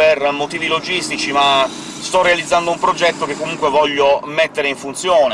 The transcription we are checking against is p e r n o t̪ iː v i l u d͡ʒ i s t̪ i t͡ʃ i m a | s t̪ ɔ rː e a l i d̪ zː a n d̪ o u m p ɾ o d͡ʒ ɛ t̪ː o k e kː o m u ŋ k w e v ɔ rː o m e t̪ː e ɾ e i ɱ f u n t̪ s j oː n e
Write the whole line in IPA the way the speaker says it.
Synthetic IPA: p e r m o t̪ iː v i l o d͡ʒ i s t̪ i t͡ʃ i m a | s t̪ ɔ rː e a l i d̪ zː a n d̪ o u m p ɾ o d͡ʒ ɛ t̪ː o k e kː o m u ŋ k w e v ɔ ʎː o m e t̪ː e ɾ e i ɱ f u n t̪ s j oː n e